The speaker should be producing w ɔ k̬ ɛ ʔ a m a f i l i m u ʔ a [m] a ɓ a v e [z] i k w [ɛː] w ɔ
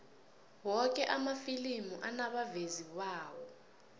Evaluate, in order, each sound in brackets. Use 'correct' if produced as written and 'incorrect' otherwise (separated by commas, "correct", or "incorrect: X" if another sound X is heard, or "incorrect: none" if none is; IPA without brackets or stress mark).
incorrect: n, correct, incorrect: aː